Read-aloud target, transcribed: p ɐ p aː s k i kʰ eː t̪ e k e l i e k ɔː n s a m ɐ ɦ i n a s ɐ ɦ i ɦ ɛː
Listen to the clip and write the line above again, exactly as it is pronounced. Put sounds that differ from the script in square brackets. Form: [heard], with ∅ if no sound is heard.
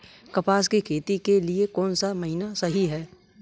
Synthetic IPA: [k] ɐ p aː s k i kʰ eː t̪ [i] k e l i e k ɔː n s a m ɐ ɦ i n a s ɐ ɦ i ɦ ɛː

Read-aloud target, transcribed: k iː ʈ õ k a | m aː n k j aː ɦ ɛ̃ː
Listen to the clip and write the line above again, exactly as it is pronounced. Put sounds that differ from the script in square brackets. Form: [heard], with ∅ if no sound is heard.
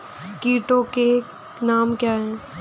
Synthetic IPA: k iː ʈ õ k [e] | [n] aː [m] k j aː ɦ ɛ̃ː

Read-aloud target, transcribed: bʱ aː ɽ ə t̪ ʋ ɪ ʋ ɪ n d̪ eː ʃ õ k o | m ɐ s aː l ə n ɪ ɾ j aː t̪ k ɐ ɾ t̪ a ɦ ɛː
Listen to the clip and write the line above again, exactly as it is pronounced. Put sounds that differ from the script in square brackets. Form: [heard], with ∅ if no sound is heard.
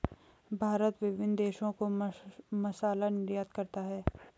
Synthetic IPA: bʱ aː [ɾ] ə t̪ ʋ ɪ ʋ ɪ n d̪ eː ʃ õ k o | m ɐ s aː l [a] n ɪ ɾ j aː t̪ k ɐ ɾ t̪ a ɦ ɛː

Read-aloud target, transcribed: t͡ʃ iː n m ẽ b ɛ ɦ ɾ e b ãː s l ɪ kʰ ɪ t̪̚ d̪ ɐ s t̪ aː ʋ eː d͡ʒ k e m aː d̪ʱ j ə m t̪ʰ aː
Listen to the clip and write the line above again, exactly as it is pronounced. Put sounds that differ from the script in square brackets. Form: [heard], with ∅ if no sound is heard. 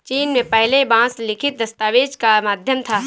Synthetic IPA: t͡ʃ iː n m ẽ [p] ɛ ɦ [l] e b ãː s l ɪ kʰ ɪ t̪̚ d̪ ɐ s t̪ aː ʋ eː d͡ʒ k [a] m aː d̪ʱ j ə m t̪ʰ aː

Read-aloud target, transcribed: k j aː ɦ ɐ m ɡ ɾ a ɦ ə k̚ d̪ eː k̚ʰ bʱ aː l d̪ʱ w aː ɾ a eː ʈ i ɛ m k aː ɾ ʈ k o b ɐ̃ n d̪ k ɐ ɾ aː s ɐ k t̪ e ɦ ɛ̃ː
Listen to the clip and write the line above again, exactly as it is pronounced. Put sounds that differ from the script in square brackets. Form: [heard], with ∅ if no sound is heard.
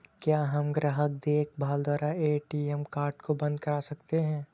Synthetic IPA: k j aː ɦ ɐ m ɡ ɾ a ɦ ə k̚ d̪ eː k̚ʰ bʱ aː l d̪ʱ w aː ɾ a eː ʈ i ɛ m k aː ɾ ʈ k o b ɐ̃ n d̪ k ɐ ɾ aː s ɐ k t̪ e ɦ ɛ̃ː

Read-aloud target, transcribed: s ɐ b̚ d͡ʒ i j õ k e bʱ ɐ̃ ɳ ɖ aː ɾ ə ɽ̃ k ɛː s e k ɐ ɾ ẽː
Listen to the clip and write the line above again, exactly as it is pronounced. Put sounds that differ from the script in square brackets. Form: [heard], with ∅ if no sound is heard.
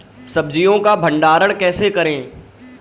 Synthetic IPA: s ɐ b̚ d͡ʒ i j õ k [a] bʱ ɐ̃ ɳ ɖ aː ɾ ə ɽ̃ k ɛː s e k ɐ ɾ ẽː

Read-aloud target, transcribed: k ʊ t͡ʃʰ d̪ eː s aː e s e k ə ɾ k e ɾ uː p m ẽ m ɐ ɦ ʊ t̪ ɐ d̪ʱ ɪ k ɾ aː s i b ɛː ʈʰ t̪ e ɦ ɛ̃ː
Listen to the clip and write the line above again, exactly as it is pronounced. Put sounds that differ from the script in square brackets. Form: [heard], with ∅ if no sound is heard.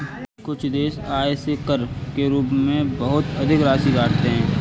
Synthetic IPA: k ʊ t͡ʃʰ d̪ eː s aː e s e k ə ɾ k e ɾ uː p m ẽ [b] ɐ ɦ ʊ t̪ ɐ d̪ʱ ɪ k ɾ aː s i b [aː] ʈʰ t̪ e ɦ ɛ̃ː

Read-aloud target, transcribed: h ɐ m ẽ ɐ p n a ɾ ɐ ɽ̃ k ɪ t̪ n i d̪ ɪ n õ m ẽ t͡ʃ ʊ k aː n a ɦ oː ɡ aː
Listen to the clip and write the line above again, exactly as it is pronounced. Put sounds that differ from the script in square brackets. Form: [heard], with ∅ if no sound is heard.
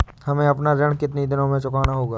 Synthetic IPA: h ɐ m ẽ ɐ p n a ɾ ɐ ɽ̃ k ɪ t̪ n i d̪ ɪ n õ m ẽ t͡ʃ ʊ k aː n a ɦ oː ɡ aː

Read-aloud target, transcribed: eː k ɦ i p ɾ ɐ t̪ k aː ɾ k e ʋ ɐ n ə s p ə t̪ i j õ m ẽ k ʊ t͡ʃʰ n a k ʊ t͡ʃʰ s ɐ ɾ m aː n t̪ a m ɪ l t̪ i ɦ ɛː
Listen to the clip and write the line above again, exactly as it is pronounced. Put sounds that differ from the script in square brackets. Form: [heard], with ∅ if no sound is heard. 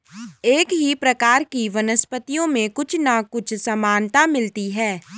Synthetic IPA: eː k ɦ i p ɾ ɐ [∅] k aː ɾ k [i] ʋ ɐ n ə s p ə t̪ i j õ m ẽ k ʊ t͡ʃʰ n a k ʊ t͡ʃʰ s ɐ [∅] m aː n t̪ a m ɪ l t̪ i ɦ ɛː

